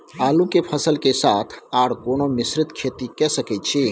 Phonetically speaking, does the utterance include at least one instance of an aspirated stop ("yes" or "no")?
yes